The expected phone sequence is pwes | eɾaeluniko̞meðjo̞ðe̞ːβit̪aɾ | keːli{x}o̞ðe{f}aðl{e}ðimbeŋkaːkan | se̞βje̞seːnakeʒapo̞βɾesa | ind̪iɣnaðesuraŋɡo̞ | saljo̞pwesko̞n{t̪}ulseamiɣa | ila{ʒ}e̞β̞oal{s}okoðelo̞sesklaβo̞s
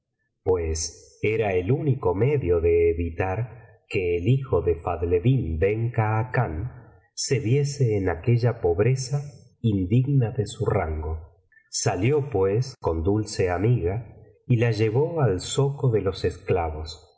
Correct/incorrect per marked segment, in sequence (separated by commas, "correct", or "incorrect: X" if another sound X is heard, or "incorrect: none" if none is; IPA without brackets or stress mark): correct, correct, correct, incorrect: d̪, correct, correct